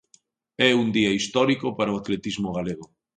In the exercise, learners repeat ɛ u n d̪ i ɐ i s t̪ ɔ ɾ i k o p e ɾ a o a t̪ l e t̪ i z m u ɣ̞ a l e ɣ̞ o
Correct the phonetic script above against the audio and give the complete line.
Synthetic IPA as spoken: ɛ u n d̪ i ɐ i s t̪ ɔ ɾ i k o p a ɾ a o a t̪ l e t̪ i z m o ɣ̞ a l e ɣ̞ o